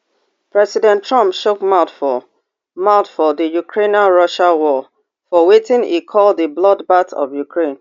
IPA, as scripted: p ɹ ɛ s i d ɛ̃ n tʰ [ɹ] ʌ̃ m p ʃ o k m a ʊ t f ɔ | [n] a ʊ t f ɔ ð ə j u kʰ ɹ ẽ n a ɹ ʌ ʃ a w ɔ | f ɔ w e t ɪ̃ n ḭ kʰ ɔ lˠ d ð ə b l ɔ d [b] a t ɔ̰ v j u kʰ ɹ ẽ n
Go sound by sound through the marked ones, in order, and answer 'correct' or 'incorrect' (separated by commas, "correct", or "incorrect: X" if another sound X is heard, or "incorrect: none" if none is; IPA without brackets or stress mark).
correct, incorrect: m, correct